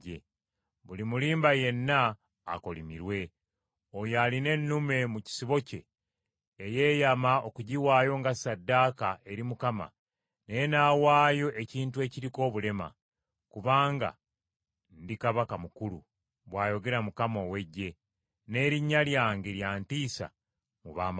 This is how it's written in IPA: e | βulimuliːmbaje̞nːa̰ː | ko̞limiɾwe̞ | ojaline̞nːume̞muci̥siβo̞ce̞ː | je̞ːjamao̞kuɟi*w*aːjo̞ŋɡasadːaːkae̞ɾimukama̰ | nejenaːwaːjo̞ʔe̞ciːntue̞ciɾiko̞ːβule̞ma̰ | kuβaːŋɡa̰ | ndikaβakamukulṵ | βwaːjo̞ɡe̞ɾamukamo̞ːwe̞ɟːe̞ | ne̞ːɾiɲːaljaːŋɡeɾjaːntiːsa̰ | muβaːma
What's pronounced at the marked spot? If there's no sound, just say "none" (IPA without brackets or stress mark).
w